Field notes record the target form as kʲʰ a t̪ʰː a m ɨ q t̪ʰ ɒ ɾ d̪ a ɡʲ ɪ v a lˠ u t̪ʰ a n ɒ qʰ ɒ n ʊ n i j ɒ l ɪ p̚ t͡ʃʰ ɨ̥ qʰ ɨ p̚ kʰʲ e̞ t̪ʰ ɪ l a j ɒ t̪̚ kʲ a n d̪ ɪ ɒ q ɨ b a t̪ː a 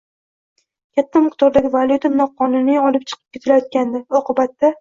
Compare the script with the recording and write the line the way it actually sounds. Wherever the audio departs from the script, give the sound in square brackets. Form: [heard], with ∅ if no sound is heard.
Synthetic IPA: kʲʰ a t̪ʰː a m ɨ q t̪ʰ ɒ ɾ d̪ a ɡʲ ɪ v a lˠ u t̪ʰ a n ɒ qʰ ɒ n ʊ n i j ɒ l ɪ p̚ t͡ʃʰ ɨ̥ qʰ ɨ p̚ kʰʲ e̞ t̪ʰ ɪ l a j ɒ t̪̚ kʲ a n d̪ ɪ ɒ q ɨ b a t̪ː a